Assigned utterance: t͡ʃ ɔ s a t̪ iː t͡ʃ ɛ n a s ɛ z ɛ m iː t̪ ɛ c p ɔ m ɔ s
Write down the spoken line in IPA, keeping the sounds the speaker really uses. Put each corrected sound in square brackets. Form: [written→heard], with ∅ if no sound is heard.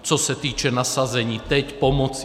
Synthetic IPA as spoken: t͡ʃ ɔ s a t̪ iː t͡ʃ ɛ n a s [ɛ→a] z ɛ [m→ɲ] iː t̪ ɛ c p ɔ m ɔ [s→t͡s]